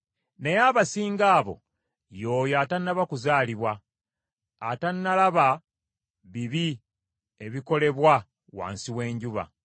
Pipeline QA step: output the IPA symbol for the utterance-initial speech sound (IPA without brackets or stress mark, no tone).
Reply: n